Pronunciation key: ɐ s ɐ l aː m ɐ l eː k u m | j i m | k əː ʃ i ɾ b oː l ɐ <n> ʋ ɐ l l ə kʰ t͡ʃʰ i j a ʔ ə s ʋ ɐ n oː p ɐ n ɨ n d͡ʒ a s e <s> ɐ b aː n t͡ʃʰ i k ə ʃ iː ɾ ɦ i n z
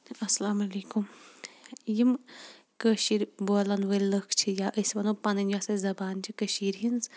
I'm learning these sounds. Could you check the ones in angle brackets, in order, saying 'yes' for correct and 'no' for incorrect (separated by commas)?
yes, no